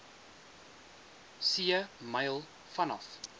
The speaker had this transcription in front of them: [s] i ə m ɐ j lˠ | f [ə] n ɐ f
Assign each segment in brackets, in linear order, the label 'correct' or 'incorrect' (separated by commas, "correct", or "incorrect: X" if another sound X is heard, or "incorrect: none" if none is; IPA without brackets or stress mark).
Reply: correct, incorrect: ɐ